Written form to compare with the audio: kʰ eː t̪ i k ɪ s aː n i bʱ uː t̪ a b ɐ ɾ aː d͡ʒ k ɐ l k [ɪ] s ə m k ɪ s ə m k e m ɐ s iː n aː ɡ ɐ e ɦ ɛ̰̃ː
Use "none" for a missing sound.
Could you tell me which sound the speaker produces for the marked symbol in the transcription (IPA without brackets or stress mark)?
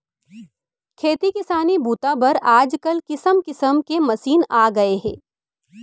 ɪ